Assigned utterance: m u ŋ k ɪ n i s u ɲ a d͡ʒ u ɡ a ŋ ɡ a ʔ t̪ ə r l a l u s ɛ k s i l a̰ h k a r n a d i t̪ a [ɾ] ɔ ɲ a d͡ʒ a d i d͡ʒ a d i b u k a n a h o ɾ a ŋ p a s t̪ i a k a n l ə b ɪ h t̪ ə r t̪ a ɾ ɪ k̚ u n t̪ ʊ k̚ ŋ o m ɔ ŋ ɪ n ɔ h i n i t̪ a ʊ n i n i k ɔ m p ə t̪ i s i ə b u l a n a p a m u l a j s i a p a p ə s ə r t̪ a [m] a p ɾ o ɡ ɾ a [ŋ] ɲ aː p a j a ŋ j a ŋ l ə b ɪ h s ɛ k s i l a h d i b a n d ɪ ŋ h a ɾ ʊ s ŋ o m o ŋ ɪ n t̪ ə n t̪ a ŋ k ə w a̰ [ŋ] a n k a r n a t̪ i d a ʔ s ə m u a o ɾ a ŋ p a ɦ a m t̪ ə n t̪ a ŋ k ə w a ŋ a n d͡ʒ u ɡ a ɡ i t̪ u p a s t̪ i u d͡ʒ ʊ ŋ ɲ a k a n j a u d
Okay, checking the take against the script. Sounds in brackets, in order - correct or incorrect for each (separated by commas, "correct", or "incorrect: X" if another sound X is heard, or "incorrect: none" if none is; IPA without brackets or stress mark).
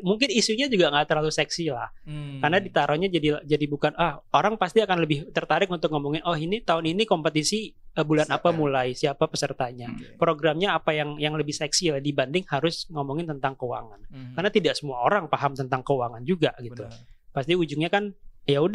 correct, incorrect: ɲ, incorrect: m, correct